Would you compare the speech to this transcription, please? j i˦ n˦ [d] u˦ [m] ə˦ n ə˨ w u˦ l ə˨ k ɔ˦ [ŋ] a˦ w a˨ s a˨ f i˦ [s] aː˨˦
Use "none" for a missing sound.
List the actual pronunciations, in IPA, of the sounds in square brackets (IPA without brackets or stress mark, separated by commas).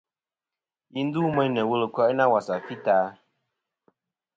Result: d, m, n, t